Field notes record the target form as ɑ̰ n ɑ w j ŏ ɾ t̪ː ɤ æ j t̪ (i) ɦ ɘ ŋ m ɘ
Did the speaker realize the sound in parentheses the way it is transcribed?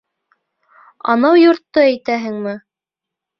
no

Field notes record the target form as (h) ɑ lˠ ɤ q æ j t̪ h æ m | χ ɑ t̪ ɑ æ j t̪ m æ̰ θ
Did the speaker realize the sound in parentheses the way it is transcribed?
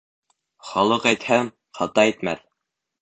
no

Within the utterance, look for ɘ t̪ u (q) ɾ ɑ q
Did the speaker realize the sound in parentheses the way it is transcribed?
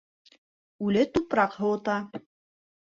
no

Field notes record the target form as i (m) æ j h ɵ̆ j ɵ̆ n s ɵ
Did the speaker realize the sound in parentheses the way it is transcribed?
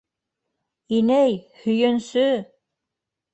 no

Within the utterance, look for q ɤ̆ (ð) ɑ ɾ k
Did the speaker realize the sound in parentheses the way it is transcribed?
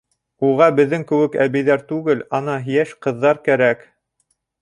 no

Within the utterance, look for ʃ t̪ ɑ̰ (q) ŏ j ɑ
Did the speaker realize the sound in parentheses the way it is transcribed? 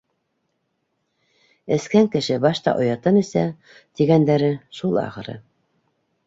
no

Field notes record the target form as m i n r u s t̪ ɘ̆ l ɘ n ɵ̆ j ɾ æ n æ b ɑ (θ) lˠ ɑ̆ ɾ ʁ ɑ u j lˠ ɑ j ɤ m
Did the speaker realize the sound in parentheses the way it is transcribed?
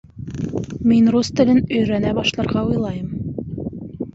no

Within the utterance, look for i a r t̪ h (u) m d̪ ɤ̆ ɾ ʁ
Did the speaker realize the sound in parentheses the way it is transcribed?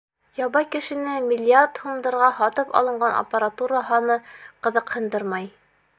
yes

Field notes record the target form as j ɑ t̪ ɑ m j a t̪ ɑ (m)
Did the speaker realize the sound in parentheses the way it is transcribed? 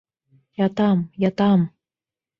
yes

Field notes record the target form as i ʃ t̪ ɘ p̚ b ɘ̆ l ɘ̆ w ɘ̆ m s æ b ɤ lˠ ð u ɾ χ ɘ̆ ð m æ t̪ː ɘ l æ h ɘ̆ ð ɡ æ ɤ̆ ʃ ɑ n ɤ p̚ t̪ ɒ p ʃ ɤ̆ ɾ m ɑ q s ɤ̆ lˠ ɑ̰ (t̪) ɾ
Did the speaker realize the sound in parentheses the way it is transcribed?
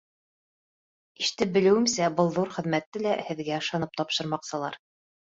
no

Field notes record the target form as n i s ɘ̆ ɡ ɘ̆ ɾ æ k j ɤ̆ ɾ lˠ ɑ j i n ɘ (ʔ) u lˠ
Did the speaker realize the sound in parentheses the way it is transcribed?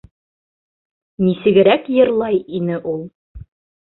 yes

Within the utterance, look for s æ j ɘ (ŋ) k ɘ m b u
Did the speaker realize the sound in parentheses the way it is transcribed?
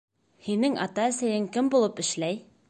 yes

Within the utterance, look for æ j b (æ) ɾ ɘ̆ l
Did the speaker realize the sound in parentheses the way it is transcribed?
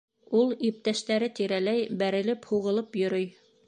yes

